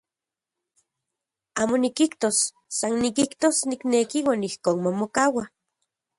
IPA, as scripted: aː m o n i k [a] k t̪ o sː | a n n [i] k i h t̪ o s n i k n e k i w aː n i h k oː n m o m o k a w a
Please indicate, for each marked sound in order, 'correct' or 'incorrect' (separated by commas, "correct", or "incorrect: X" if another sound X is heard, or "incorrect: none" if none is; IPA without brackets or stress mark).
incorrect: i, correct